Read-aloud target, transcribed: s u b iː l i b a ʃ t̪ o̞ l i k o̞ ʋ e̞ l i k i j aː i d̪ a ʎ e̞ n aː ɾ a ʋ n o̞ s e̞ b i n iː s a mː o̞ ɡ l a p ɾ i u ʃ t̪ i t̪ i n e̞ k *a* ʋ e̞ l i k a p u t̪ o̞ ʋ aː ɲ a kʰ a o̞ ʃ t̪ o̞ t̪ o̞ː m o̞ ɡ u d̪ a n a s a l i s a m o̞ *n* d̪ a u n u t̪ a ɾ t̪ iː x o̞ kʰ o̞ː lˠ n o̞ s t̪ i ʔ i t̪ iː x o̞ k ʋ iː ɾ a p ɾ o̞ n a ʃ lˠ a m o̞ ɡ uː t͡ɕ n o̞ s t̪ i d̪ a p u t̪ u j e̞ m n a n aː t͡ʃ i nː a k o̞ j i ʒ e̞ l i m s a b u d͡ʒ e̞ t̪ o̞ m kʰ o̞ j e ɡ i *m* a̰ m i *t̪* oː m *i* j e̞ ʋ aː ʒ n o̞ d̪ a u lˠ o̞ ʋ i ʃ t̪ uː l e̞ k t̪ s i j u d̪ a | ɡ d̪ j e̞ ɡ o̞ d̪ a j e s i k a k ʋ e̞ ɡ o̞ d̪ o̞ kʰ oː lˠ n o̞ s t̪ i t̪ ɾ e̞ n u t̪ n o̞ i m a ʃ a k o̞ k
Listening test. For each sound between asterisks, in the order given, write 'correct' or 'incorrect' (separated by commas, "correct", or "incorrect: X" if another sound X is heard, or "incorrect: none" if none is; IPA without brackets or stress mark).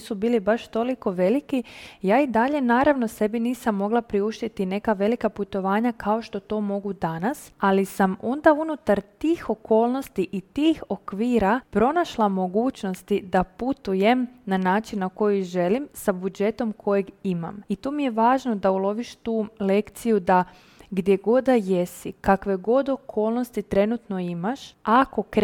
correct, correct, correct, correct, correct